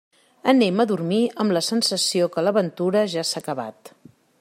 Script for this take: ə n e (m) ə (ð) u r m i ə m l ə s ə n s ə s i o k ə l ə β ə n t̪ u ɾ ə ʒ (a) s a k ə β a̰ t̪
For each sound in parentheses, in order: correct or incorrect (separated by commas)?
correct, correct, correct